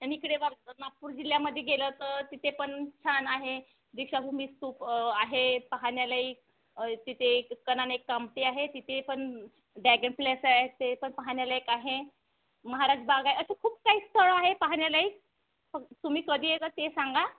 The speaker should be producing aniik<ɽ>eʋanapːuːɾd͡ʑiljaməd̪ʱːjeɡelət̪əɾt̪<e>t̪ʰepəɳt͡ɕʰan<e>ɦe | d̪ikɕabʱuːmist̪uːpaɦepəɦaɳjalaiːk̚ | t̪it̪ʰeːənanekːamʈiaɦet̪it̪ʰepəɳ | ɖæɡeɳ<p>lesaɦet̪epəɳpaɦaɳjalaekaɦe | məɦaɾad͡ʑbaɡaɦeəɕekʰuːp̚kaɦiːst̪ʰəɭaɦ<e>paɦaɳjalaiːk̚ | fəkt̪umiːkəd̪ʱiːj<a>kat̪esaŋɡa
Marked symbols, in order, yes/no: yes, no, no, yes, yes, no

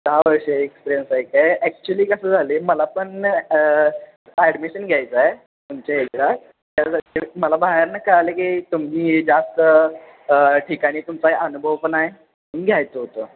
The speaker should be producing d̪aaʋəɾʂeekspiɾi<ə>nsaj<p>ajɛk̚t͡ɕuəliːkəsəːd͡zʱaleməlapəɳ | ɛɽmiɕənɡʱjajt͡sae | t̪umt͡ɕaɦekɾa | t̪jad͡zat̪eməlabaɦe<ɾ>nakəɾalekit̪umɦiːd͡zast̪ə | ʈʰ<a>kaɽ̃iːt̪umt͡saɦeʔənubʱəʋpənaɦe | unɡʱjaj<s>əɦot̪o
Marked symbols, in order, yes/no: yes, no, yes, no, no

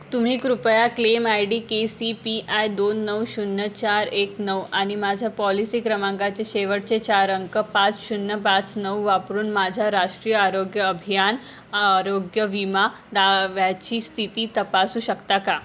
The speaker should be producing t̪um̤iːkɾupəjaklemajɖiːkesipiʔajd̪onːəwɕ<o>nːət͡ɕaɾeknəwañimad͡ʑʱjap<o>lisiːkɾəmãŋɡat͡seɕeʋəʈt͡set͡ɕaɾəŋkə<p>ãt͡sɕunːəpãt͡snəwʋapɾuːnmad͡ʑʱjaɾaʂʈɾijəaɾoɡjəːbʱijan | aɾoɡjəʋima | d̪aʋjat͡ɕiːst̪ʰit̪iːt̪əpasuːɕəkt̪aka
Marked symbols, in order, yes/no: no, no, yes

